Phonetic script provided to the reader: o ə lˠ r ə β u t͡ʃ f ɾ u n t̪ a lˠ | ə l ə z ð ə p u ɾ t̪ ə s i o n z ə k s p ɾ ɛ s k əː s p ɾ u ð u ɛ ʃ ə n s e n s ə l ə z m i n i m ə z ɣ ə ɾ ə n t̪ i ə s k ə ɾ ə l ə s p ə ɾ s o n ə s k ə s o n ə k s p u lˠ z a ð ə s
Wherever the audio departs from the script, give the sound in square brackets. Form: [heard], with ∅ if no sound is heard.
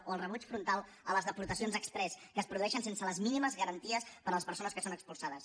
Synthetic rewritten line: o ə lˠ r ə β u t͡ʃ f ɾ u n t̪ a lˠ | ə l ə z ð ə p u ɾ t̪ ə s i o n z ə k s p ɾ ɛ s k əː s p ɾ u ð u ɛ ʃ ə n s e n s ə l ə z m i n i m ə z ɣ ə ɾ ə n t̪ i ə s [p] ə ɾ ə l ə s p ə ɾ s o n ə s k ə s o n ə k s p u lˠ [s] a ð ə s